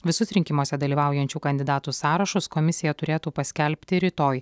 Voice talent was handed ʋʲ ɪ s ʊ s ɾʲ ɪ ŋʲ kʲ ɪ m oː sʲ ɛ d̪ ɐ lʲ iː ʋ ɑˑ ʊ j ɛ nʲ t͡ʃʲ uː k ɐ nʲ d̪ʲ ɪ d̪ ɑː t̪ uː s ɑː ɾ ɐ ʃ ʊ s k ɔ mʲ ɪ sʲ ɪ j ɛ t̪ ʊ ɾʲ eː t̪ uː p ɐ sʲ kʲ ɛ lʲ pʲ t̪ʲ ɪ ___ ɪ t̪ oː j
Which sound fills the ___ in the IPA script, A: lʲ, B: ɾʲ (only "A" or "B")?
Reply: B